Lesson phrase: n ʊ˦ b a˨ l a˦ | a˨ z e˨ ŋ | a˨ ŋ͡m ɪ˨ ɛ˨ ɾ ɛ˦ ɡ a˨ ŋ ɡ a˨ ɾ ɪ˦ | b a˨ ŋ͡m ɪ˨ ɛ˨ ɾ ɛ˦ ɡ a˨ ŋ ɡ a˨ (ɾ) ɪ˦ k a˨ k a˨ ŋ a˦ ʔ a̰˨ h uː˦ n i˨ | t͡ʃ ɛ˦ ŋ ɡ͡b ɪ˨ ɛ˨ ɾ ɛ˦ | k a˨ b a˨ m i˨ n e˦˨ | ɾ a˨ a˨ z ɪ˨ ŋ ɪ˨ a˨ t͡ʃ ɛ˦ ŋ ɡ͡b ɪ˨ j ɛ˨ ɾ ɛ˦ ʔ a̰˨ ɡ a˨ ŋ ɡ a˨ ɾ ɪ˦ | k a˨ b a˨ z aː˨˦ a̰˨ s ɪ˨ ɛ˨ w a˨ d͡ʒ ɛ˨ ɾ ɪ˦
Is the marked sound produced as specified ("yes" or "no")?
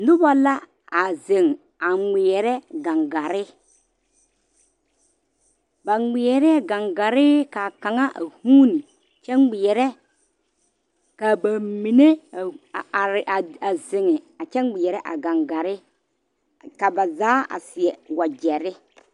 yes